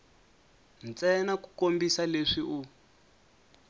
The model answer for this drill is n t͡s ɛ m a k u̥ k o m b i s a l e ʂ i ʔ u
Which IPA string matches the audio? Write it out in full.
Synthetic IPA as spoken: n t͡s ɛ n a k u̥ k o m b i s a l e ʂ i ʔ u